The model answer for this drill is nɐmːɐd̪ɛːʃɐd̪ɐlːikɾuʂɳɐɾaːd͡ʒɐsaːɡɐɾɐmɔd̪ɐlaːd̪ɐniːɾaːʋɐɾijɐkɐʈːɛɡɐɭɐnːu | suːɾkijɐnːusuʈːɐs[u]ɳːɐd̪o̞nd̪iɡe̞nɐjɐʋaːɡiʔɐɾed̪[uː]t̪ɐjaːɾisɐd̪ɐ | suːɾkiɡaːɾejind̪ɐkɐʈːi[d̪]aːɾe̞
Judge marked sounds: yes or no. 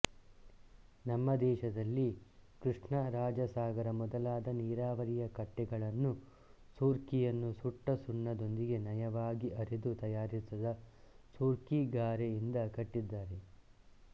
yes, no, no

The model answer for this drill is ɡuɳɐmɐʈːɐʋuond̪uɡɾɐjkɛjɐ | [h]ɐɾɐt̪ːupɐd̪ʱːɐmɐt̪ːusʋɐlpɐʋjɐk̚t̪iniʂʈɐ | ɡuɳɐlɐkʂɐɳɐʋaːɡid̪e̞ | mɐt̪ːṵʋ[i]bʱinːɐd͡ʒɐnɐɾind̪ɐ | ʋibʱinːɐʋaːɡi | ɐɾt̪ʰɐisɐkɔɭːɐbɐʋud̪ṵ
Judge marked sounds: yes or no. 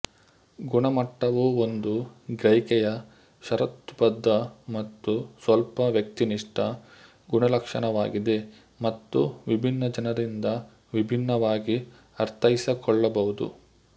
no, yes

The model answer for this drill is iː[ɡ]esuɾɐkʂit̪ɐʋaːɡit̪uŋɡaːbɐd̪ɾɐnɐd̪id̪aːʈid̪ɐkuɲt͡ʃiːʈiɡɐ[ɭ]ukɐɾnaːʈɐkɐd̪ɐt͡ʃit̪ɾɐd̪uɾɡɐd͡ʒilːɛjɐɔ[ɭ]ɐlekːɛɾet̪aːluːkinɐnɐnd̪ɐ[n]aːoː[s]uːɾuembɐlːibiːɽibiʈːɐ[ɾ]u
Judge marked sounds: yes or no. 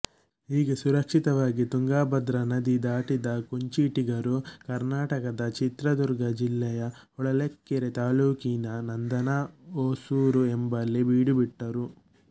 yes, no, yes, yes, yes, yes

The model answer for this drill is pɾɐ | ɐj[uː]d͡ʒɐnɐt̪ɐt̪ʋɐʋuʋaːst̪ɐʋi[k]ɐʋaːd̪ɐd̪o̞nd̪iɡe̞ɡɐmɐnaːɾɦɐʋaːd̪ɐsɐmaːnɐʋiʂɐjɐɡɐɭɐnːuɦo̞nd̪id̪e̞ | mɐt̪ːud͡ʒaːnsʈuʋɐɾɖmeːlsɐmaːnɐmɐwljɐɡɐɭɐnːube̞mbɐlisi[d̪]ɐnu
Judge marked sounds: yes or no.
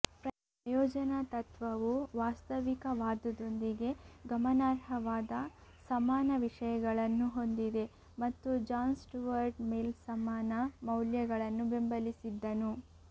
no, yes, no

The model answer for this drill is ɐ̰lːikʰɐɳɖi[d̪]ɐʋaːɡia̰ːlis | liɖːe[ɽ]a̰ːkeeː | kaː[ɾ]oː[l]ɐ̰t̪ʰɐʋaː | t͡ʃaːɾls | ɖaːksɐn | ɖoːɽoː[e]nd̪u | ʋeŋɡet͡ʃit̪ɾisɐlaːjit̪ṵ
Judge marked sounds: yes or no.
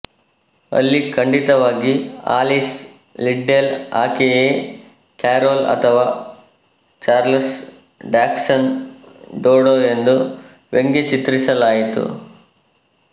no, no, yes, yes, yes

